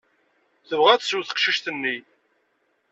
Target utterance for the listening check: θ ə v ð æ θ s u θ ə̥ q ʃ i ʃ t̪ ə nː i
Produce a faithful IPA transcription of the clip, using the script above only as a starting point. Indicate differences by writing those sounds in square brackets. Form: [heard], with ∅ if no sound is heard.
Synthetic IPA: θ ə v [ʁ] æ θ s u θ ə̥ q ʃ i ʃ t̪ ə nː i